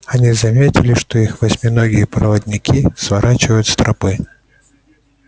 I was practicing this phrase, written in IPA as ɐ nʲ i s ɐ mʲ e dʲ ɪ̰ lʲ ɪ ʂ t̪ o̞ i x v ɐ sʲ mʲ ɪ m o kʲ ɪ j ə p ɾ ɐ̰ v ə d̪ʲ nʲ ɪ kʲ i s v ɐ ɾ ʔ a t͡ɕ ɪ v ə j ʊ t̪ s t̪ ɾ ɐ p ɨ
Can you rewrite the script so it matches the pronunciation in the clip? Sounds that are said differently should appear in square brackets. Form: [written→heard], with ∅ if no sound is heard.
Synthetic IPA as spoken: ɐ nʲ i [s→z] ɐ mʲ e [dʲ→tʲ] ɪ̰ lʲ ɪ ʂ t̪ o̞ i x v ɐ sʲ mʲ ɪ [m→n] o [kʲ→ɡʲ] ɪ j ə p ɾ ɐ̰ v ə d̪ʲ nʲ ɪ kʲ i s v ɐ ɾ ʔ a t͡ɕ ɪ v ə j ʊ t̪ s t̪ ɾ ɐ p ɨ